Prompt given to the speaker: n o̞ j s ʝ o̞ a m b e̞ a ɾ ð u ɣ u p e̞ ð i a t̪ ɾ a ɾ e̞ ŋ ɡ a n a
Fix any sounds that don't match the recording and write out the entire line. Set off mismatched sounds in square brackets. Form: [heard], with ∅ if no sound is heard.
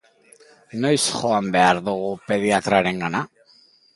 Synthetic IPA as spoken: n o̞ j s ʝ o̞ a m b e̞ a ɾ ð u ɣ u p e̞ ð i a t̪ ɾ a ɾ e̞ ŋ ɡ a n a

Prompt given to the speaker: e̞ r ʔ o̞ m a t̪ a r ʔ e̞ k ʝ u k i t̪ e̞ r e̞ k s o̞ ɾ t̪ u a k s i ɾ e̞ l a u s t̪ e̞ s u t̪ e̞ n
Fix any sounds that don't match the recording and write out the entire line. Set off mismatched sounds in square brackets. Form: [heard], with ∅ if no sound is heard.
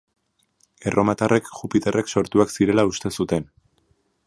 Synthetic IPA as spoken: e̞ r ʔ o̞ m a t̪ a r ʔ e̞ k ʝ u [p] i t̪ e̞ r e̞ k s o̞ ɾ t̪ u a k s i ɾ e̞ l a u s t̪ e̞ s u t̪ e̞ n

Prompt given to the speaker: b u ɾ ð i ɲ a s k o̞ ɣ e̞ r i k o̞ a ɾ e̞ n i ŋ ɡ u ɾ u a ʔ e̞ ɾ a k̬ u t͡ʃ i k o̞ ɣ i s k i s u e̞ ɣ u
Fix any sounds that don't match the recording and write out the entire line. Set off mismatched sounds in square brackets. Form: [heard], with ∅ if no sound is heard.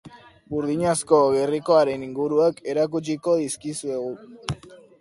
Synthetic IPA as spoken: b u ɾ ð i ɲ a s k o̞ ɣ e̞ r i k o̞ a ɾ e̞ n i ŋ ɡ u ɾ u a [k] e̞ ɾ a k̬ u t͡ʃ i k o̞ [ð] i s k i s u e̞ ɣ u

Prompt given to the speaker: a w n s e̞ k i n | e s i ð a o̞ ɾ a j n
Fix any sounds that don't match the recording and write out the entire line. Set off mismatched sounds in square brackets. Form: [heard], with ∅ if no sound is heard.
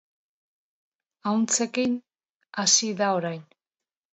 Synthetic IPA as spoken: a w n [t͡s] e̞ k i n | [a] s i ð a o̞ ɾ a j n

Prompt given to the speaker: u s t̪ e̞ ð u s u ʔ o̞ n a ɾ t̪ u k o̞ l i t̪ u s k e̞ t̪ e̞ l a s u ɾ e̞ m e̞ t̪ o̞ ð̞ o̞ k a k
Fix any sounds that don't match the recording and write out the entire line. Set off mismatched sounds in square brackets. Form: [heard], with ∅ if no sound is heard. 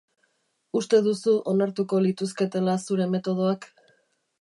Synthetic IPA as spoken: u s t̪ e̞ ð u s u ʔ o̞ n a ɾ t̪ u k o̞ l i t̪ u s k e̞ t̪ e̞ l a s u ɾ e̞ m e̞ t̪ o̞ ð̞ o̞ [∅] a k

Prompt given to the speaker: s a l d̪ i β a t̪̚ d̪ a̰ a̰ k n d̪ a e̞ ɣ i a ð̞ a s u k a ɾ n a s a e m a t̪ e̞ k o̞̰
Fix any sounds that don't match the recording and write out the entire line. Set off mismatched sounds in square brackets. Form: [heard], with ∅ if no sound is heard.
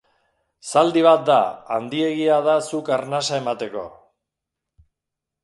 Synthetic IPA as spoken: s a l d̪ i β a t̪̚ d̪ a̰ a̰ [∅] n d̪ [i] e̞ ɣ i a ð̞ a s u k a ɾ n a s a e m a t̪ e̞ k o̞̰

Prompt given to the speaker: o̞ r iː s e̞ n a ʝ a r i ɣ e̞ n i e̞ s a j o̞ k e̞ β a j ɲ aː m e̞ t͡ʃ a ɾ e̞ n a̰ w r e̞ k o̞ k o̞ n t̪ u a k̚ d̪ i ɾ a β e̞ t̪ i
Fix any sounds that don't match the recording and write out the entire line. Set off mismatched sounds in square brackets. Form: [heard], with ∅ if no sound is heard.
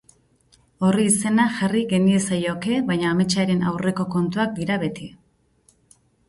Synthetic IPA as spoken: o̞ r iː s e̞ n a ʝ a r i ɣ e̞ n i e̞ s a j o̞ k e̞ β a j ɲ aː m e̞ t͡ʃ a ɾ e̞ n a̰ w r e̞ k o̞ k o̞ n t̪ u a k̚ d̪ i ɾ a β e̞ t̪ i

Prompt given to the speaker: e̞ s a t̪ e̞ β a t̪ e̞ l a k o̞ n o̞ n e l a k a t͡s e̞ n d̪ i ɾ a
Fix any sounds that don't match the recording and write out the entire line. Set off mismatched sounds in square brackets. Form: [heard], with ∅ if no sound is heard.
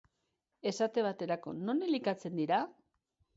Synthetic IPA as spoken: e̞ s a t̪ e̞ β a t̪ e̞ [ɾ] a k o̞ n o̞ n e l [i] k a t͡s e̞ n d̪ i ɾ a

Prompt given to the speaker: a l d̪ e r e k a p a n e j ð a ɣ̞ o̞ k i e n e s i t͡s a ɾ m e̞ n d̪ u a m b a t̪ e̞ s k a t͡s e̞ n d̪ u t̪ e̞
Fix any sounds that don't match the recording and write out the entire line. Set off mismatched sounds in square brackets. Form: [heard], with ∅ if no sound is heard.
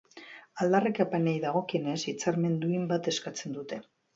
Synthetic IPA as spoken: a l d̪ [a] r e k a p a n e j ð a ɣ̞ o̞ k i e n e s i t͡s a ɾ m e̞ n d̪ u [i] m b a t̪ e̞ s k a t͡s e̞ n d̪ u t̪ e̞

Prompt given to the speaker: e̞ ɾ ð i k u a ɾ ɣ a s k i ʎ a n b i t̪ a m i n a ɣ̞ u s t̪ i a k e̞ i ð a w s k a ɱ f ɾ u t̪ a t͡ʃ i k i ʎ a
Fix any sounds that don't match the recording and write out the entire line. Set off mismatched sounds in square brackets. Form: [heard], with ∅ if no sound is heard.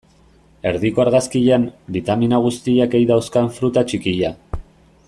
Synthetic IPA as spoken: e̞ ɾ ð i k [o] a ɾ ɣ a s k i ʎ a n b i t̪ a m i n a ɣ̞ u s t̪ i a k e̞ [j] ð a w s k a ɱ f ɾ u t̪ a t͡ʃ i k i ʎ a

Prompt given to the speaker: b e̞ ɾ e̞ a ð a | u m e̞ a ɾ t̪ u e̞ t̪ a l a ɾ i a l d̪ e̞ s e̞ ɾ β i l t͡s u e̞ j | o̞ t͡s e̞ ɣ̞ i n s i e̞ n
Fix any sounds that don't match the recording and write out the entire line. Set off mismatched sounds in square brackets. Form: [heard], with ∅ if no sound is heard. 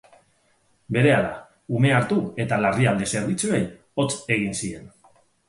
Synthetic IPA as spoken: b e̞ ɾ e̞ a ð a | u m e̞ a ɾ t̪ u e̞ t̪ a l a [r] i a l d̪ e̞ s e̞ ɾ β i [∅] t͡s u e̞ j | o̞ t͡s e̞ ɣ̞ i n s i e̞ n

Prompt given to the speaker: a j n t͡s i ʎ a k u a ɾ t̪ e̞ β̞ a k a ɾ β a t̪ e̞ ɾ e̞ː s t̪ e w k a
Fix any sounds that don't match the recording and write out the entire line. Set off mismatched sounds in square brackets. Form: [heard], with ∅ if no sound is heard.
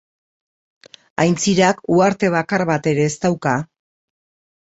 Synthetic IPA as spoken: a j n t͡s i [ɾ] a k u a ɾ t̪ e̞ β̞ a k a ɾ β a t̪ e̞ ɾ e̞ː s t̪ [a] w k a

